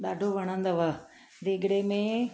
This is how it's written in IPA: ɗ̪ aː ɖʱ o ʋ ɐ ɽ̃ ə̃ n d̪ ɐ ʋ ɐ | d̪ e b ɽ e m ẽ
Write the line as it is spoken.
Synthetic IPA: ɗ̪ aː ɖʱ o ʋ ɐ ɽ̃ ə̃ n d̪ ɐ ʋ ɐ | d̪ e ɡ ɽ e m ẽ